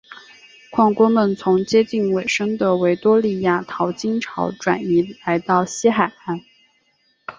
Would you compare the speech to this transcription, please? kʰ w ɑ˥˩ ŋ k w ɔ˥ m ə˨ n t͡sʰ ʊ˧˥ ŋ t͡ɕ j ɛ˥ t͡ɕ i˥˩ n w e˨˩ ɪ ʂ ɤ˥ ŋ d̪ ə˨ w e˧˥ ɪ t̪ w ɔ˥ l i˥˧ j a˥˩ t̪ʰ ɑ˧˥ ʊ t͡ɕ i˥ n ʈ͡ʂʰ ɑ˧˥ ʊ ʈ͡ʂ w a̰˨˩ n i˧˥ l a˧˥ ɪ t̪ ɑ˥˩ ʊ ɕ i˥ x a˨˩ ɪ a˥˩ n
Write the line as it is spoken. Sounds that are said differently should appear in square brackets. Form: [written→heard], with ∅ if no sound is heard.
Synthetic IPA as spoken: kʰ w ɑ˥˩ ŋ k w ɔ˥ m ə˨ n t͡sʰ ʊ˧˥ ŋ t͡ɕ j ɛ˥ t͡ɕ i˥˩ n w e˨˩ ɪ ʂ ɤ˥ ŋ d̪ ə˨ w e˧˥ ɪ t̪ w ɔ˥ l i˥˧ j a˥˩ t̪ʰ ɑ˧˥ ʊ t͡ɕ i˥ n ʈ͡ʂʰ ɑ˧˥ ʊ ʈ͡ʂ w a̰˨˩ n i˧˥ l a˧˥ ɪ t̪ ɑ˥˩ ʊ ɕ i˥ x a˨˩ ɪ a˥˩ n